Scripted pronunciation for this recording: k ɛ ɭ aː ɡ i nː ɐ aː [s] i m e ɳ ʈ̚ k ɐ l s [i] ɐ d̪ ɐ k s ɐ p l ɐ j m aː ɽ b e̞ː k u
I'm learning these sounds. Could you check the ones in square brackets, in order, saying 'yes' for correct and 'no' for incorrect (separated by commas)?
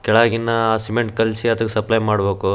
yes, yes